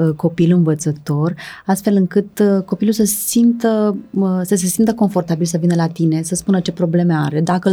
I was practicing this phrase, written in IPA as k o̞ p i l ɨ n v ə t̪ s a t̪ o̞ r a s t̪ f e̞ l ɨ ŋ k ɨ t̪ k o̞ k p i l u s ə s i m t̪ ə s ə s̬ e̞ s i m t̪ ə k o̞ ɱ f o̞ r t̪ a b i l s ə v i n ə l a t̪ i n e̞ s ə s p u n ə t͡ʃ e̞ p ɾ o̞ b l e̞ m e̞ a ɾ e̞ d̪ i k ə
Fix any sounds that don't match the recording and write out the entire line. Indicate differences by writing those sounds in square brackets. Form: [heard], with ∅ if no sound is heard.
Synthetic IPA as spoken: k o̞ p i l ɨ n v ə t̪ s [ə] t̪ o̞ r a s t̪ f e̞ l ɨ ŋ k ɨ t̪ k o̞ [∅] p i l u s ə s i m t̪ ə s ə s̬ e̞ s i m t̪ ə k o̞ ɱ f o̞ r t̪ a b i l s ə v i n ə l a t̪ i n e̞ s ə s p u n ə t͡ʃ e̞ p ɾ o̞ b l e̞ m e̞ a ɾ e̞ d̪ [a] k ə